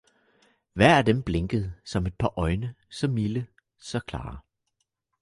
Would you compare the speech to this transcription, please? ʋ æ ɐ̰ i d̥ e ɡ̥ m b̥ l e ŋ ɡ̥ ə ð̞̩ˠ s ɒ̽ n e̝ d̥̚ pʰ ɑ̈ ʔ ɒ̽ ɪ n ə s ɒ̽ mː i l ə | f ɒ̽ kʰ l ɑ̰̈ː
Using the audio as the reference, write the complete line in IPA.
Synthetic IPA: ʋ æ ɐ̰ æ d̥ e m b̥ l e ŋ ɡ̥ ə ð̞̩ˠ s ɒ̽ m e̝ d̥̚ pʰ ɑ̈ ʔ ɒ̽ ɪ n ə s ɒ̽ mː i l ə | s ɒ̽ kʰ l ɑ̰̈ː